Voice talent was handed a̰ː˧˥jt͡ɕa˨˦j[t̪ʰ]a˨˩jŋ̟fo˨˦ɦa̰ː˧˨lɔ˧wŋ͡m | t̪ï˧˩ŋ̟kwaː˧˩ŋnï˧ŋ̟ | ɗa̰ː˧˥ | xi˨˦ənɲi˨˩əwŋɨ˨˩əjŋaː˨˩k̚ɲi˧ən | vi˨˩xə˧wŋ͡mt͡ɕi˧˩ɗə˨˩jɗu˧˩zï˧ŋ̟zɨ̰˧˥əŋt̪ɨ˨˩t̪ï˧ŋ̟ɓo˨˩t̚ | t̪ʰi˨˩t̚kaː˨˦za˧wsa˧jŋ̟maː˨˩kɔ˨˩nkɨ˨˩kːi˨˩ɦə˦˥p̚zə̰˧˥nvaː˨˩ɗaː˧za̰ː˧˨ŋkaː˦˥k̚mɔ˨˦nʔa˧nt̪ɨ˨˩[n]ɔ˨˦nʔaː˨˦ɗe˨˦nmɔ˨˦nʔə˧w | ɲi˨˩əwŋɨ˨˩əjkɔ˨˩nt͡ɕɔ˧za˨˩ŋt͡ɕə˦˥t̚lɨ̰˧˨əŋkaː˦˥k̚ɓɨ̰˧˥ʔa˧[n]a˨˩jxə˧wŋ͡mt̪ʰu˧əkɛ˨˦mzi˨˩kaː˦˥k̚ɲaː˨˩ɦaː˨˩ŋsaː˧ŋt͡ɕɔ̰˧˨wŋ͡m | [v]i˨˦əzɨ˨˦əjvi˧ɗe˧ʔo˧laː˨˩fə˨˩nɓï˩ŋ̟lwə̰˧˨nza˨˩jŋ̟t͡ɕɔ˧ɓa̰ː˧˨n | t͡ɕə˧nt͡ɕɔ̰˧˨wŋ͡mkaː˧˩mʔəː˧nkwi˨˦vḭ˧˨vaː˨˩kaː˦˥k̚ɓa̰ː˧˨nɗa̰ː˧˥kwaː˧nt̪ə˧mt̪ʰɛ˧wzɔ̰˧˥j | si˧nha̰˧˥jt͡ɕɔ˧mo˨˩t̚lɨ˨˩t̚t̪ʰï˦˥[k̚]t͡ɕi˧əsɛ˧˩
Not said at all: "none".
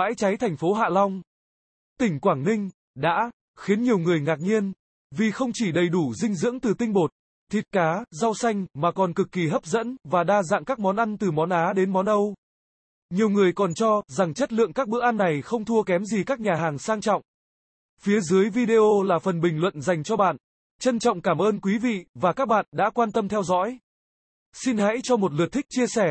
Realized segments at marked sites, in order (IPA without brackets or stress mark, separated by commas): t̪ʰ, m, nː, f, k̚